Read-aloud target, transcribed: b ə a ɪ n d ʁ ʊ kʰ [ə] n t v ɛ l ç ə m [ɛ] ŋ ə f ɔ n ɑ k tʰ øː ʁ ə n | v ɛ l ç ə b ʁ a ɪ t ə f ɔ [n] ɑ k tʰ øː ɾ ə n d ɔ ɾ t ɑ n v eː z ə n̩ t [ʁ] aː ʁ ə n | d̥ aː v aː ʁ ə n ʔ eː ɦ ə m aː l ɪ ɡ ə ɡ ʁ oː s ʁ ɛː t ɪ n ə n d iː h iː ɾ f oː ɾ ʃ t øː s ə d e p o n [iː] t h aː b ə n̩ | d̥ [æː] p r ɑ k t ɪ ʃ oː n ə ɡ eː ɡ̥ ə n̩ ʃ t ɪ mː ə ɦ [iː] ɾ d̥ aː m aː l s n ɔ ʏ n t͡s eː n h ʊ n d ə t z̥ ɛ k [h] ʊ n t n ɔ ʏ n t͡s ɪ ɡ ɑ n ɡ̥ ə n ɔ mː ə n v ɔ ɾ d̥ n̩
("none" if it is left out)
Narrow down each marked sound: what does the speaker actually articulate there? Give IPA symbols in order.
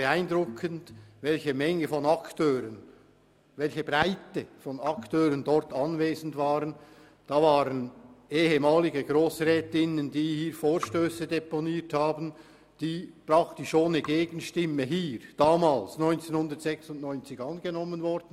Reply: ə, ɛ, n, v, iː, iː, iː, s

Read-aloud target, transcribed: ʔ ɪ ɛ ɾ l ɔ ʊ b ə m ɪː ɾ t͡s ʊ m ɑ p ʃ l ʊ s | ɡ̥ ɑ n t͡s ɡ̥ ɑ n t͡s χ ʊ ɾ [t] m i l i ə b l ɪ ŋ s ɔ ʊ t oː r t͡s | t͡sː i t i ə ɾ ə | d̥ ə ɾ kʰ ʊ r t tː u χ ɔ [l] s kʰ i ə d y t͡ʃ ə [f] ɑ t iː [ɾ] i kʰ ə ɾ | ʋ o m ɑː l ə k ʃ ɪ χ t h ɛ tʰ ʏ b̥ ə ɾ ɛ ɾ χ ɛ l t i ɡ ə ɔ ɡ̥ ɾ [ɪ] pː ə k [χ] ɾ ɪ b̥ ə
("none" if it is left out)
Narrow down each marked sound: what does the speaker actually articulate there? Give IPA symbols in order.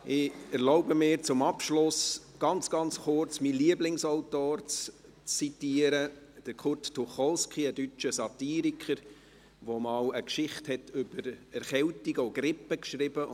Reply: t͡s, l, s, ɾ, ɪ, ʃ

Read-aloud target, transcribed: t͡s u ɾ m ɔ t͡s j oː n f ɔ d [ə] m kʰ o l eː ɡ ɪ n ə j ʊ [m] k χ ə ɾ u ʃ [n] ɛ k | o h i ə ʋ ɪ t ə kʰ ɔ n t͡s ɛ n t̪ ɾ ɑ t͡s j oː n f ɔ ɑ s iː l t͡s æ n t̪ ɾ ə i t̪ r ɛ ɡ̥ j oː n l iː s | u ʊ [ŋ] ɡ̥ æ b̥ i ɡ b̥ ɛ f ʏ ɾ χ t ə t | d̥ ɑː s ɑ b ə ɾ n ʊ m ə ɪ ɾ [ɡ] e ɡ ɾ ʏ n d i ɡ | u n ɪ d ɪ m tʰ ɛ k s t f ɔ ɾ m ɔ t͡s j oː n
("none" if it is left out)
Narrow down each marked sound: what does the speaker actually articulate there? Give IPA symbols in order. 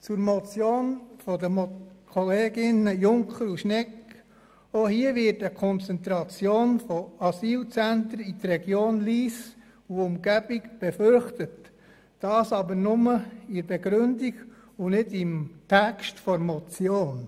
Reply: ə, ŋ, n, m, b

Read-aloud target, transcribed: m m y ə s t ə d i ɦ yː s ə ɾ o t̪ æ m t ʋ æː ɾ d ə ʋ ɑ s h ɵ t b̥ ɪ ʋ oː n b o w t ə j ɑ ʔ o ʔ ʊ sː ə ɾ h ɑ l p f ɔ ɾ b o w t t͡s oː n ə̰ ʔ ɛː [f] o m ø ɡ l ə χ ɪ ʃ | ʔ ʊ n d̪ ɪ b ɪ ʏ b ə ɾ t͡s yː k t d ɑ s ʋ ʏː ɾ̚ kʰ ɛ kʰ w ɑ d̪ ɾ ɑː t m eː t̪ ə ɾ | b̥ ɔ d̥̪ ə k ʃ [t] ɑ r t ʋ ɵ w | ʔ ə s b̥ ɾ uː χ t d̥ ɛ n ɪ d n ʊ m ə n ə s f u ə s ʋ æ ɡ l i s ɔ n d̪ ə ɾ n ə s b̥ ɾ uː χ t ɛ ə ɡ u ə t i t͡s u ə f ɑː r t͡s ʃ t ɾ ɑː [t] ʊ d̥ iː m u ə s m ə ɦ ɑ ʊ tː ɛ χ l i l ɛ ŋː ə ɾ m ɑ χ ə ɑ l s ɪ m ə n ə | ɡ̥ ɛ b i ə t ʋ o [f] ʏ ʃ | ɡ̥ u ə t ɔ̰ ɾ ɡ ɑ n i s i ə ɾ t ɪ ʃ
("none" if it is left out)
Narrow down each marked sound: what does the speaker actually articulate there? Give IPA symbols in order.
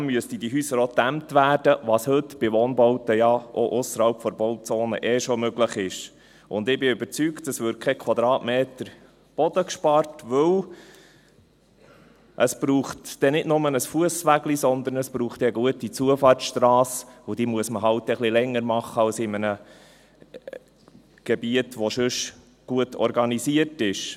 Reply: ʃ, p, s, ʃ

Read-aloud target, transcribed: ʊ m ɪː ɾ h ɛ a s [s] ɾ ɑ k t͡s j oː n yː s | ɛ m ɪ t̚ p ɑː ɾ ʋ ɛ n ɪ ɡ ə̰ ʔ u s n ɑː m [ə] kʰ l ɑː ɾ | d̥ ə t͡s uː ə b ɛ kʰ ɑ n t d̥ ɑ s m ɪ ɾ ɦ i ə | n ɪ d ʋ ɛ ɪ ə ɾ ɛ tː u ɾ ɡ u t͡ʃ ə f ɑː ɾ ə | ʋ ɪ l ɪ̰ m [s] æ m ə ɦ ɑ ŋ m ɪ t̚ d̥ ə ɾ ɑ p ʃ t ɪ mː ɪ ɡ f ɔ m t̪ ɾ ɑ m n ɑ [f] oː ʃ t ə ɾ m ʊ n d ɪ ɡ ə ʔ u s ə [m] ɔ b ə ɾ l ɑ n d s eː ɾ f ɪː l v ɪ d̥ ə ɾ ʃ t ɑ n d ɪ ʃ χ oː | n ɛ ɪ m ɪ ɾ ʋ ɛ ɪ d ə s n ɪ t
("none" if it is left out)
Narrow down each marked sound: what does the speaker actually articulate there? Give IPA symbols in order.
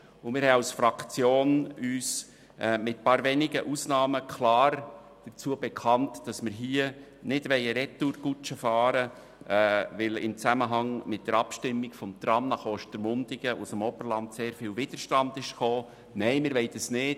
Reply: f, ə, t͡s, χ, m

